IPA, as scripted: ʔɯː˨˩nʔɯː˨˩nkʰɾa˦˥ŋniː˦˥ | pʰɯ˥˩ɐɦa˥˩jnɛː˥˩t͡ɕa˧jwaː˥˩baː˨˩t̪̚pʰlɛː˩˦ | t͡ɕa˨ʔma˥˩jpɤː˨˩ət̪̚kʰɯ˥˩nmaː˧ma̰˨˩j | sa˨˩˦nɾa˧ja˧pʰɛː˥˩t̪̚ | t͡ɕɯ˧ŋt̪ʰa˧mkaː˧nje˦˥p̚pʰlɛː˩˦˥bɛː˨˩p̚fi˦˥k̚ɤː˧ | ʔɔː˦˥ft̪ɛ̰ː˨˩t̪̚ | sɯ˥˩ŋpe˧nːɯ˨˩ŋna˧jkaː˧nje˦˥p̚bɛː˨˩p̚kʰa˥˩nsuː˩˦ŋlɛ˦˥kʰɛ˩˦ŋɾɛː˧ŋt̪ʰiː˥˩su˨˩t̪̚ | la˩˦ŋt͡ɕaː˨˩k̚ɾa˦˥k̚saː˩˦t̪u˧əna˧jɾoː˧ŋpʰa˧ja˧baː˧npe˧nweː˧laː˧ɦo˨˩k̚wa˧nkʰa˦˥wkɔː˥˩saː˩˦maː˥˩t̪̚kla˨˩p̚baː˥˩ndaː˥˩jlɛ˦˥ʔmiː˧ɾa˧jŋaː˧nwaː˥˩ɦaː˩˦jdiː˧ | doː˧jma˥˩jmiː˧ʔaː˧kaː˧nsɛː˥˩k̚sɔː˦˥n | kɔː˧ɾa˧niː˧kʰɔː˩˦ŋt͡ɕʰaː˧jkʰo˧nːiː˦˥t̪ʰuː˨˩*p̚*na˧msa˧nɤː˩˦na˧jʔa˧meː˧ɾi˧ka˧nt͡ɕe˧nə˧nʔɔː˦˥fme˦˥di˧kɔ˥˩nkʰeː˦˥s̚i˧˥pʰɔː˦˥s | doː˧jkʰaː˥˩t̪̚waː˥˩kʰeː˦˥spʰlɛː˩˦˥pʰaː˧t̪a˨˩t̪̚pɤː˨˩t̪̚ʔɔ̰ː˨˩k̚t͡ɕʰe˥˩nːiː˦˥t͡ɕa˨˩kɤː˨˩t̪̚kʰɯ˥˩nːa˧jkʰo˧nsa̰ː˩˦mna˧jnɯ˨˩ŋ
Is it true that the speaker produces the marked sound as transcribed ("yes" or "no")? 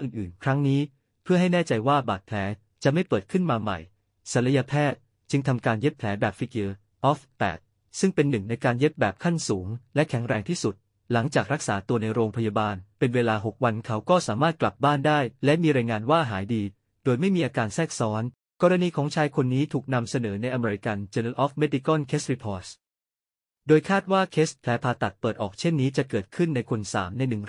no